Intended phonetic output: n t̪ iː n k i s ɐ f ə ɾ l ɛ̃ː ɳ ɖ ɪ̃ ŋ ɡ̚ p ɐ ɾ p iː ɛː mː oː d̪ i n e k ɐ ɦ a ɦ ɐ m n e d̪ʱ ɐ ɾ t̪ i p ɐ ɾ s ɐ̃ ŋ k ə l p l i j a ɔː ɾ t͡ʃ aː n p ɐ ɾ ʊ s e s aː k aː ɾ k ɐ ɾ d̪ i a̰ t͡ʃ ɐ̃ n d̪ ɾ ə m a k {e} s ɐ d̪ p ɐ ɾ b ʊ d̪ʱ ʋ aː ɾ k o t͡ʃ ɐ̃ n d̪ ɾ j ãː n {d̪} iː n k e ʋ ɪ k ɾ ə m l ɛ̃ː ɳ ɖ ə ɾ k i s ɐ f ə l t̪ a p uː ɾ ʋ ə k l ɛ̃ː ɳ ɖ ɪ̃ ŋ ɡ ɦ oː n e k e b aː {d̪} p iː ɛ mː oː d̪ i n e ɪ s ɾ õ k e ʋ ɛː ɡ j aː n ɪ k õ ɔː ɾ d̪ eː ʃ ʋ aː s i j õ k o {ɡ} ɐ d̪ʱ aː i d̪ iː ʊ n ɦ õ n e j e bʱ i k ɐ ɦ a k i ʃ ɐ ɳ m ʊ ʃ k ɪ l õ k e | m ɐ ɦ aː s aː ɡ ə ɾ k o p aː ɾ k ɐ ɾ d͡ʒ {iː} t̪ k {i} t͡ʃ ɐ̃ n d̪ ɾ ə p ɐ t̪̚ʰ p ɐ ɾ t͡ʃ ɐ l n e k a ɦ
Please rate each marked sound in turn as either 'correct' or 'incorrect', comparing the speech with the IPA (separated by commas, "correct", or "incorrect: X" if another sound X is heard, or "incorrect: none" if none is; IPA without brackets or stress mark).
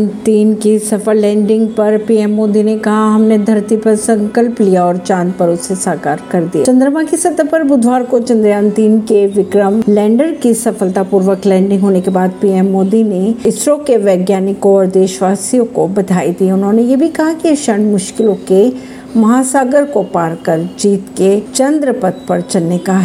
incorrect: i, incorrect: t̪, correct, incorrect: b, correct, incorrect: e